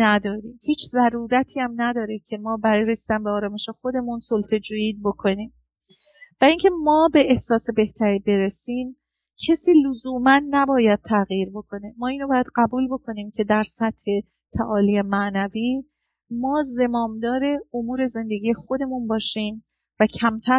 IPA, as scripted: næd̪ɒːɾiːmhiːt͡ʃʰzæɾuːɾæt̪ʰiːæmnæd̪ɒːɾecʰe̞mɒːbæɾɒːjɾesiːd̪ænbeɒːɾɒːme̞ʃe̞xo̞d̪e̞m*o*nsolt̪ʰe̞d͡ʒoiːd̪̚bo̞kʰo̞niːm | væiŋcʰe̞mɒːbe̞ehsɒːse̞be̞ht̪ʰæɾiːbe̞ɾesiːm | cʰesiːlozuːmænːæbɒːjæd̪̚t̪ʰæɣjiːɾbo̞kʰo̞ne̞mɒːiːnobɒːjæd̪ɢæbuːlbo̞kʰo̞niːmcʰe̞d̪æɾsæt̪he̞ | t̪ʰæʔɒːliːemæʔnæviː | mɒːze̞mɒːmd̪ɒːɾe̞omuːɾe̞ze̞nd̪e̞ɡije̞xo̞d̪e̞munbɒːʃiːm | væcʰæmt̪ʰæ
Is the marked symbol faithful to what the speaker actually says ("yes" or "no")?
no